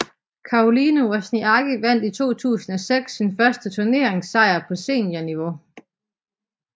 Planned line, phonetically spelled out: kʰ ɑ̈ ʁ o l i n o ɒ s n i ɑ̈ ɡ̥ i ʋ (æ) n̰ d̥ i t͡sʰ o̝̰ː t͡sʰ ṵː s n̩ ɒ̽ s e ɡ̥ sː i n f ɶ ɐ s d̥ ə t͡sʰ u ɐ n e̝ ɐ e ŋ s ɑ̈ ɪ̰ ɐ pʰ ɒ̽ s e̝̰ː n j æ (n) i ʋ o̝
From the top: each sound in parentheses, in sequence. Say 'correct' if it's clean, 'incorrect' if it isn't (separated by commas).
correct, correct